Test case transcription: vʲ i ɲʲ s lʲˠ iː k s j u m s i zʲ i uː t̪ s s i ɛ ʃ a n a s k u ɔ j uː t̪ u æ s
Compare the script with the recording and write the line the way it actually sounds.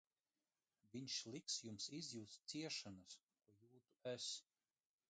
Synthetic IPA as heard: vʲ i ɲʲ ʃ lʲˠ i k s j u m s i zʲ j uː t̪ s s i ɛ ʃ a n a s k u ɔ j uː t̪ u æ s